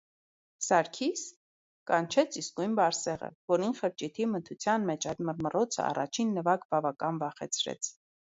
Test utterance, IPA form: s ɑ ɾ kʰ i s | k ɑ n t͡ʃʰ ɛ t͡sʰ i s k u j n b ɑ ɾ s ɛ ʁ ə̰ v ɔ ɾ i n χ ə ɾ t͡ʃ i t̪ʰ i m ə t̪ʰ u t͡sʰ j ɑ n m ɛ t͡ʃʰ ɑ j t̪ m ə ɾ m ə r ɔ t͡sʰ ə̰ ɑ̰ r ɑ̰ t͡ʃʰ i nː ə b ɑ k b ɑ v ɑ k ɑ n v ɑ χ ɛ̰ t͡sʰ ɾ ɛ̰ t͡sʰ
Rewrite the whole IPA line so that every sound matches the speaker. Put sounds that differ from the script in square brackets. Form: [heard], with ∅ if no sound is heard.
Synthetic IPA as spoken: s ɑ ɾ kʰ i s | k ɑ n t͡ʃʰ ɛ t͡sʰ i s k u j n b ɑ ɾ s ɛ ʁ ə̰ v ɔ ɾ i n χ ə ɾ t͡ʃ i t̪ʰ i m ə t̪ʰ u t͡sʰ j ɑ n m ɛ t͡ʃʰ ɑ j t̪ m ə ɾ m ə r ɔ t͡sʰ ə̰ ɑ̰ r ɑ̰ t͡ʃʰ i nː ə [v] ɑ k b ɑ v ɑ k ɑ n v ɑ χ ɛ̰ t͡sʰ ɾ ɛ̰ t͡sʰ